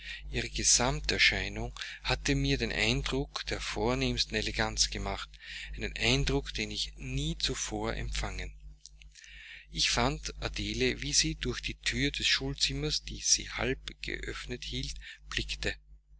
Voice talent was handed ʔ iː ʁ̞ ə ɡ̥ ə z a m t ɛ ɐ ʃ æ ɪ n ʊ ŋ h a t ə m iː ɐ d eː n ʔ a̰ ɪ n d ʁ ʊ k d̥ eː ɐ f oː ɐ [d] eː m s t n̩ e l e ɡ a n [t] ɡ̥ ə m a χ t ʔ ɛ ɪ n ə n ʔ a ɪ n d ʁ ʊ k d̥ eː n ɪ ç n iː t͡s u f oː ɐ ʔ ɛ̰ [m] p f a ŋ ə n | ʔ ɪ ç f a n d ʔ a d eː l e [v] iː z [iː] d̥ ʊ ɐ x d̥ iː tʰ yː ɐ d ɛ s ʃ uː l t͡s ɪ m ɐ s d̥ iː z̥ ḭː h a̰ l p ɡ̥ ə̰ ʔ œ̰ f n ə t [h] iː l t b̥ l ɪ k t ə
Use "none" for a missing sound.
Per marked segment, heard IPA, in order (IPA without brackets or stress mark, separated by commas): n, t͡s, m, v, iː, h